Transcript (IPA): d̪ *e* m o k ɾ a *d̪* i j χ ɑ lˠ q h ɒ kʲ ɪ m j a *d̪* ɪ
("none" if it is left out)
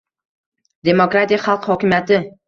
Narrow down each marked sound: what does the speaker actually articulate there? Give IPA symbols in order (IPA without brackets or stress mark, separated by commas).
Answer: e, t̪, t̪